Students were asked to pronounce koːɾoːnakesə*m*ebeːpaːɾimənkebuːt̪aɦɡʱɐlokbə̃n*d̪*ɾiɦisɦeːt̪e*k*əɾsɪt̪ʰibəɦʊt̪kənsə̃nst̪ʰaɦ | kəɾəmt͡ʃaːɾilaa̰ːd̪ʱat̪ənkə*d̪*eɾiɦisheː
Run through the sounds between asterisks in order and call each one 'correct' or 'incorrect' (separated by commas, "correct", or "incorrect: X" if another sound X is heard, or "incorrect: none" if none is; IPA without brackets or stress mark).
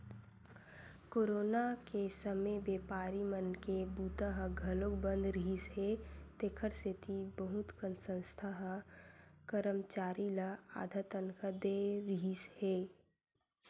correct, correct, incorrect: kʰ, correct